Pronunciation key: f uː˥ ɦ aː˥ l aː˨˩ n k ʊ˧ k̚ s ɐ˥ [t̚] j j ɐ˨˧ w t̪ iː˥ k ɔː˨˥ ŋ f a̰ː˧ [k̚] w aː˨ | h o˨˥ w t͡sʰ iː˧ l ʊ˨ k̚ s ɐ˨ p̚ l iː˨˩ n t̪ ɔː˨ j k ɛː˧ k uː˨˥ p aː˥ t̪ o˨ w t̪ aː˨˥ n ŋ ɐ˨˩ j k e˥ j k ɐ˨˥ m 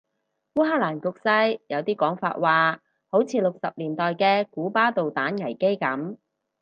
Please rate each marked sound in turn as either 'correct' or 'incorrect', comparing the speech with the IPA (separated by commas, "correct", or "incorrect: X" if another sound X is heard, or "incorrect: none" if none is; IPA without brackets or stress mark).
incorrect: none, incorrect: t̚